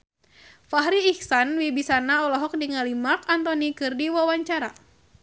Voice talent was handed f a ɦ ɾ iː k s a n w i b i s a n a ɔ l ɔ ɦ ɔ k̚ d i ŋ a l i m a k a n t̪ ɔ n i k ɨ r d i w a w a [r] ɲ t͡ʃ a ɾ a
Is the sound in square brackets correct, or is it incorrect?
incorrect